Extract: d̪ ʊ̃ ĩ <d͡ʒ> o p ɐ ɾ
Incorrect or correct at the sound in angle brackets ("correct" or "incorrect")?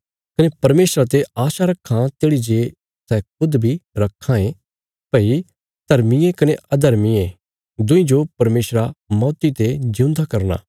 correct